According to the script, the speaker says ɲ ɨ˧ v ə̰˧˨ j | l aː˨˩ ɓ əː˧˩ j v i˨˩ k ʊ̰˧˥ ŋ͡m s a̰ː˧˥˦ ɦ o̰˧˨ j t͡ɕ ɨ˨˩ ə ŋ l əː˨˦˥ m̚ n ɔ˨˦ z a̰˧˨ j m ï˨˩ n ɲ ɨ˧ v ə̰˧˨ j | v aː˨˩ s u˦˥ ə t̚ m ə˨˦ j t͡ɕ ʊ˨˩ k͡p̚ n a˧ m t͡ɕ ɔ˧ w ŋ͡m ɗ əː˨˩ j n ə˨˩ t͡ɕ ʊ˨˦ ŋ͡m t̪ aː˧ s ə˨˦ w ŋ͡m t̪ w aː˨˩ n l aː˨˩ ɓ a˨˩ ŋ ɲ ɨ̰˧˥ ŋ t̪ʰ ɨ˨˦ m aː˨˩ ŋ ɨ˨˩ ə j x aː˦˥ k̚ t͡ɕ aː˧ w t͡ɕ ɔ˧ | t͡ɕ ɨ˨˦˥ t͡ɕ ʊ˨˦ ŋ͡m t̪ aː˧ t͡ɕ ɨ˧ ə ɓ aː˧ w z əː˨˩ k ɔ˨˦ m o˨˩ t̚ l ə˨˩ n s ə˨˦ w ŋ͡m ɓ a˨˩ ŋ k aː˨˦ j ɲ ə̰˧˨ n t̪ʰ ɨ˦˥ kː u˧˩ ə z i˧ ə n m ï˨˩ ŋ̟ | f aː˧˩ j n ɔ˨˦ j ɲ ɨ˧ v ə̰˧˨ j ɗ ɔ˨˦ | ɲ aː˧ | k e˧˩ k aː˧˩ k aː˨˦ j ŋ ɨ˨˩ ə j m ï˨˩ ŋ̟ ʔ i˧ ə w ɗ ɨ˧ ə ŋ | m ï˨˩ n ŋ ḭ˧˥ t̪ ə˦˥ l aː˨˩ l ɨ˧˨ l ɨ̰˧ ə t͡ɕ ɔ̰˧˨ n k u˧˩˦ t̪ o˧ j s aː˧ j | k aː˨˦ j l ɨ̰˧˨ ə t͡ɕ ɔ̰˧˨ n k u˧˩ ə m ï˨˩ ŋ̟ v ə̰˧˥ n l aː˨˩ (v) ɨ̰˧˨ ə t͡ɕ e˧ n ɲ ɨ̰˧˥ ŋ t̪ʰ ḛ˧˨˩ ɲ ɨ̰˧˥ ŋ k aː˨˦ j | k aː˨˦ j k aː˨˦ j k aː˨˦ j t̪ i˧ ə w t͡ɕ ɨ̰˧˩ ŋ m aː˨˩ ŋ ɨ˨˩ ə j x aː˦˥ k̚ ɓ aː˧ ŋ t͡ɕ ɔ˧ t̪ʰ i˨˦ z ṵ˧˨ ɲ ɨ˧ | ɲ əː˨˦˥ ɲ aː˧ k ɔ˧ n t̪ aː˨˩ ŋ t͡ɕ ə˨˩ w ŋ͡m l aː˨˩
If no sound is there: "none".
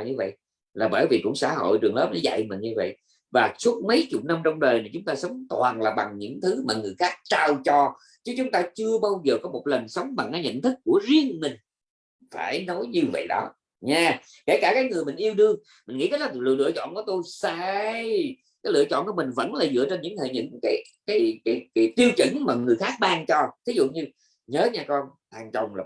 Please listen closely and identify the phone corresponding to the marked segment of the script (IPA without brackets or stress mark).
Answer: z